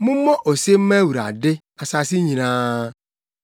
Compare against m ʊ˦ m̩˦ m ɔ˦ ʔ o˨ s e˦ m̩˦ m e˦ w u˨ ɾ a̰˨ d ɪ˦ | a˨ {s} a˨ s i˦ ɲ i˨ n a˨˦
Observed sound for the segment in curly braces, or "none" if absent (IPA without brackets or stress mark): s